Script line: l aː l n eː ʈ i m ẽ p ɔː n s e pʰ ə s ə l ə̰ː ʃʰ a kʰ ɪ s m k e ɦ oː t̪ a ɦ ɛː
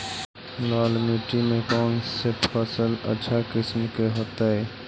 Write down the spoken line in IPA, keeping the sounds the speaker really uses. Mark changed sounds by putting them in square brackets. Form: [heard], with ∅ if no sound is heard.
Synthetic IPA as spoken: l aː l [m] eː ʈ i m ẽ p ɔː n s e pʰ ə s ə l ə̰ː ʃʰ a [k] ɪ s m k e ɦ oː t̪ a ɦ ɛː